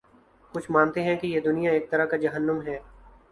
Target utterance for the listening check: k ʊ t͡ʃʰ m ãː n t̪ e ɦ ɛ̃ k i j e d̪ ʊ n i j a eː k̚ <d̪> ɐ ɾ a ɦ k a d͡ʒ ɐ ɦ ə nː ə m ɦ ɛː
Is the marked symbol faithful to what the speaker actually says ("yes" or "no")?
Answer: no